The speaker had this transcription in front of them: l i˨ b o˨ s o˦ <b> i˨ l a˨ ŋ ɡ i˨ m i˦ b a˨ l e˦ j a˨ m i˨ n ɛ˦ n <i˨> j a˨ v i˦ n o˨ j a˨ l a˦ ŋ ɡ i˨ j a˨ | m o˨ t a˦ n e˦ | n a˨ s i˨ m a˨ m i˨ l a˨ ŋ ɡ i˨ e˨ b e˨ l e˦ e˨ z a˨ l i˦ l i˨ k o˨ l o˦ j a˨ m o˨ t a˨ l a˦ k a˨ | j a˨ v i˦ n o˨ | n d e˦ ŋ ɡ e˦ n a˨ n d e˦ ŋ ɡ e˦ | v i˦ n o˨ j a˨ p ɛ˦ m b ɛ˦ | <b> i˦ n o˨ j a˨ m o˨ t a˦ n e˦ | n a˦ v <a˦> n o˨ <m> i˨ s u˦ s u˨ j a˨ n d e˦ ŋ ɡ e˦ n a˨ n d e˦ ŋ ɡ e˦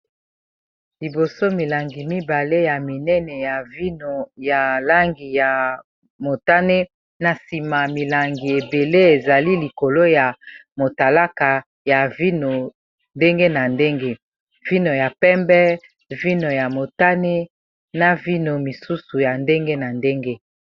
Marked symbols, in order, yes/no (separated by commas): no, no, no, no, yes